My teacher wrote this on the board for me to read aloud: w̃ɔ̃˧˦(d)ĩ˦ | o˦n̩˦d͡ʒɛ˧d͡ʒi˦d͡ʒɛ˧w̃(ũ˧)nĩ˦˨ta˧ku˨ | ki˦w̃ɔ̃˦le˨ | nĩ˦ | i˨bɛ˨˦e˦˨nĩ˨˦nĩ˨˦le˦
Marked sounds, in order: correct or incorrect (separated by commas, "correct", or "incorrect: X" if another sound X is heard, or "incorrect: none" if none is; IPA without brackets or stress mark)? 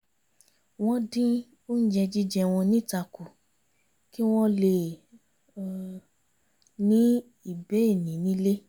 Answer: correct, incorrect: ɔ̃˧